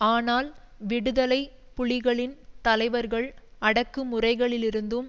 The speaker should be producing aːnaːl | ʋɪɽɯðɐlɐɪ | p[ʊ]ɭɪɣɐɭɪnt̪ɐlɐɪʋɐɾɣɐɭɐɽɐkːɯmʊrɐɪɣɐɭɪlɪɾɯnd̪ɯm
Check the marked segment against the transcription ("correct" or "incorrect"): correct